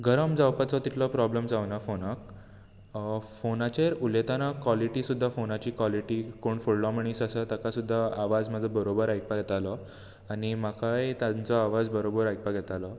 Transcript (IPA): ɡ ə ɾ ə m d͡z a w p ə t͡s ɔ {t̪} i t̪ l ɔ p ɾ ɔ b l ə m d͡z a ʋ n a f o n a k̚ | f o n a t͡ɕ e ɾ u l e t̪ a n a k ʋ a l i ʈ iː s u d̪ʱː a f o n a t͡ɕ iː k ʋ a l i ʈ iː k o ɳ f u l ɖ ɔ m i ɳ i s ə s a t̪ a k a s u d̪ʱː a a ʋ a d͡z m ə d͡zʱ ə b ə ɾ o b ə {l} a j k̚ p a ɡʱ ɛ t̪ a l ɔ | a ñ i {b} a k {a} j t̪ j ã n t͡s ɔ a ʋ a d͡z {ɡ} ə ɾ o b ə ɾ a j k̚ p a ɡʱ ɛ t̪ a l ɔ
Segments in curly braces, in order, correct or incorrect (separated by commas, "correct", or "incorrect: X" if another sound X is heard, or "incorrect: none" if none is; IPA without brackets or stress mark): correct, incorrect: ɾ, incorrect: m, correct, incorrect: b